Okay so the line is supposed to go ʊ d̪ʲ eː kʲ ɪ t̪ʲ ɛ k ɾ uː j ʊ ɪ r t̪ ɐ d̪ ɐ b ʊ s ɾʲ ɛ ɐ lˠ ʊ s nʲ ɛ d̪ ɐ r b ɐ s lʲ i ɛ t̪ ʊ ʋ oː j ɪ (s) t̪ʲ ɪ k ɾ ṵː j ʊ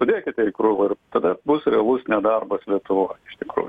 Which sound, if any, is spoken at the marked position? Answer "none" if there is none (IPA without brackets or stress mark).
ʃ